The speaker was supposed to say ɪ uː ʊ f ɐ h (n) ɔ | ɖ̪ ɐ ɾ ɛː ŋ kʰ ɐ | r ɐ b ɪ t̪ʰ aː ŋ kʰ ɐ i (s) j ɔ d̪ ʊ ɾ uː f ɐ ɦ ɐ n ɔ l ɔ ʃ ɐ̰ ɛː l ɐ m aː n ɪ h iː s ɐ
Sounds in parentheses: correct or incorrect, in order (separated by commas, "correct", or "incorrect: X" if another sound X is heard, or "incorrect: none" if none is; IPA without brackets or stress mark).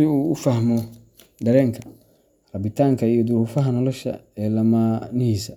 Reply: incorrect: m, incorrect: none